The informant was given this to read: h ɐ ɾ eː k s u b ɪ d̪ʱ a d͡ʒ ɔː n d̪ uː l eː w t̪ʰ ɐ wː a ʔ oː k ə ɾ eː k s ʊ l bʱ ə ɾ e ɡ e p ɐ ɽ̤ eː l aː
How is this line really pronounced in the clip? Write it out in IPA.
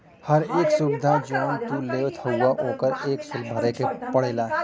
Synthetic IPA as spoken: h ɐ ɾ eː k s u b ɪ d̪ʱ a d͡ʒ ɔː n t̪ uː l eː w t̪ʰ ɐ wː a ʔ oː k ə ɾ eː k s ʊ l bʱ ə ɾ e k e p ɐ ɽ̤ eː l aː